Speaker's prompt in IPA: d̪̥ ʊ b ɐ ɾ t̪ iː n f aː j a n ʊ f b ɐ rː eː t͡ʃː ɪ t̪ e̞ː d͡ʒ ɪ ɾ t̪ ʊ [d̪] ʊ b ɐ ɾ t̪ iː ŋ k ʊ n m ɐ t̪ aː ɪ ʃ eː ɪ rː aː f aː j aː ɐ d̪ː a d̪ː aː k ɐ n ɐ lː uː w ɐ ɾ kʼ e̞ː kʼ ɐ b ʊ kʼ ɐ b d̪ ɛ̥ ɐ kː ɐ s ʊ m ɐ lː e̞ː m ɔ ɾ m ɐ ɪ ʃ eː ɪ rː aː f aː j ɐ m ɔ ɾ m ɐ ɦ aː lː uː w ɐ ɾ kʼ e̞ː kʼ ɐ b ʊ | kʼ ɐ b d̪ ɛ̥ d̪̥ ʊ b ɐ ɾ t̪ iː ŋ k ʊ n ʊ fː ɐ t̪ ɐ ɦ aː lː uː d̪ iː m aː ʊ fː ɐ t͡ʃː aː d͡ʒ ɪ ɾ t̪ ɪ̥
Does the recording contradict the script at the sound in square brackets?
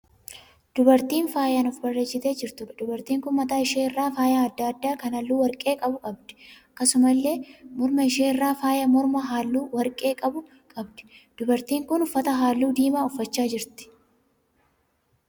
no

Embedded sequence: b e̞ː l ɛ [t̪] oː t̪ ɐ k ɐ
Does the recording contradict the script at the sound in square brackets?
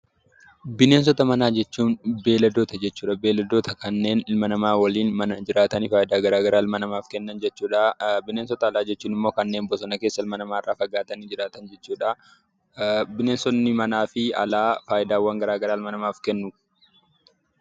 yes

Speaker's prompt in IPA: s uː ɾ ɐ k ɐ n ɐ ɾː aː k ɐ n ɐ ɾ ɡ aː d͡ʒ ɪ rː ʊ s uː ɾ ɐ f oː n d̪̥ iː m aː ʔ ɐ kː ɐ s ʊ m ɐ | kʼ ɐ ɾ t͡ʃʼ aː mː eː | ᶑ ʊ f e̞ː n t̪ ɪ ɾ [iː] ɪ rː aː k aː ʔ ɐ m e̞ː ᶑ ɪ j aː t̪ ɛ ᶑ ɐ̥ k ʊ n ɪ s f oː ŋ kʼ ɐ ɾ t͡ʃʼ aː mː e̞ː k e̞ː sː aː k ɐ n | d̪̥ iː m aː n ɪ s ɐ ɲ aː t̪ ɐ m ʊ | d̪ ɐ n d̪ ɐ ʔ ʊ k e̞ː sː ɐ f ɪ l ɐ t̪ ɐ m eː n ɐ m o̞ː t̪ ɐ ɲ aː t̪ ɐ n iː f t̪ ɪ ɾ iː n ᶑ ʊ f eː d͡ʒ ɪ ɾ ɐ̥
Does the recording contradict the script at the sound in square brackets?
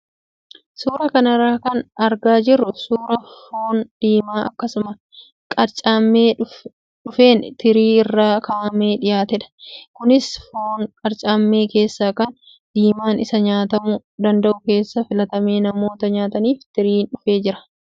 no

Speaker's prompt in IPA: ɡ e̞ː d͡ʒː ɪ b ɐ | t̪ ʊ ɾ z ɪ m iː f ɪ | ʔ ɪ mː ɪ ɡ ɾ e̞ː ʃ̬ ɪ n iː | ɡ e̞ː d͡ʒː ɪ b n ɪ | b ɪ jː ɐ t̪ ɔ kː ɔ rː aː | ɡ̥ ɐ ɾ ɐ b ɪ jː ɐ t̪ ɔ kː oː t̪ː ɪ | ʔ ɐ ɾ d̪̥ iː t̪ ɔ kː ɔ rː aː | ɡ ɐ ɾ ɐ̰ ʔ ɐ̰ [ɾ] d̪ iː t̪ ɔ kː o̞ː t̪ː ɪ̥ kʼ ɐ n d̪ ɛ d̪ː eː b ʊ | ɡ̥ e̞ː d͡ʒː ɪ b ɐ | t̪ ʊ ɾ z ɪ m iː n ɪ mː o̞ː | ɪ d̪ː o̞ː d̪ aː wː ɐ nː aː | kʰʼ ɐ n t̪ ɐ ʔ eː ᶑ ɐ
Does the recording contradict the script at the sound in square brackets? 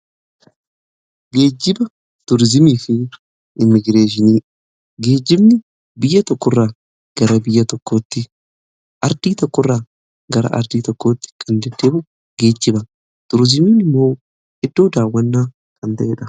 no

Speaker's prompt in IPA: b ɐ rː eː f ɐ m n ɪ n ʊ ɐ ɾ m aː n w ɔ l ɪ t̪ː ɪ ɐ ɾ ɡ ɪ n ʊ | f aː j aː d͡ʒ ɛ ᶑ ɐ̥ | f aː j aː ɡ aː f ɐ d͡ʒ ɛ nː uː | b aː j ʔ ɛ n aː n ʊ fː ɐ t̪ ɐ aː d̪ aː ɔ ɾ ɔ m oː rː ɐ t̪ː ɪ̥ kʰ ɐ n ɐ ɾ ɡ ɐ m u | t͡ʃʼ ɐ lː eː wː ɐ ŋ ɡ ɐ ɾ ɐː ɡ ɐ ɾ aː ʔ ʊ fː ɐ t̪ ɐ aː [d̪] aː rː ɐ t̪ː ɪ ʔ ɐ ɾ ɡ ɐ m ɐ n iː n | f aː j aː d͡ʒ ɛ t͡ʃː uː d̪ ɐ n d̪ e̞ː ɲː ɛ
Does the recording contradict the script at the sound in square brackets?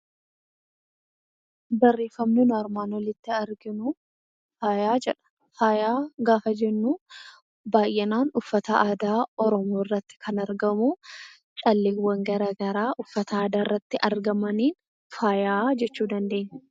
no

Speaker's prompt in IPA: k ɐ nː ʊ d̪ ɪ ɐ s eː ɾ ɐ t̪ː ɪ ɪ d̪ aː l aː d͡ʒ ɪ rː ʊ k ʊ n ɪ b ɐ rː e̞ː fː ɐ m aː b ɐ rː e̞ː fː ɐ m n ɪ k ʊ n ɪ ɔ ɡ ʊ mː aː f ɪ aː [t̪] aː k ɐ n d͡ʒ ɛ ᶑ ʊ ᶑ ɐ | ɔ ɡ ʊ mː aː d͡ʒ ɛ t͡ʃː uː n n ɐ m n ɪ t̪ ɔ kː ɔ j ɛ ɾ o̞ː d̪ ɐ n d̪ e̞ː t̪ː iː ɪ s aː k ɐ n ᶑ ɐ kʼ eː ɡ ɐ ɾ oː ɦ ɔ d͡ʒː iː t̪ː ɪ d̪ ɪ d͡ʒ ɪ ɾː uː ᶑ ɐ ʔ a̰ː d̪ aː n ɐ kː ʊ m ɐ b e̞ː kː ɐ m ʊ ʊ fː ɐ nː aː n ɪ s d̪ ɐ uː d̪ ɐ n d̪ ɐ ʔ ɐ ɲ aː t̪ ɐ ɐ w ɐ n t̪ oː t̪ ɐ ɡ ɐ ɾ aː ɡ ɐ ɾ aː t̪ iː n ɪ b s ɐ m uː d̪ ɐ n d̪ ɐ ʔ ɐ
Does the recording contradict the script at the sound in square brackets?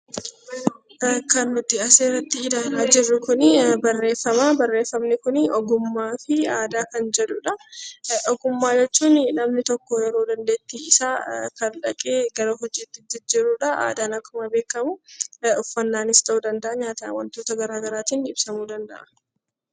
yes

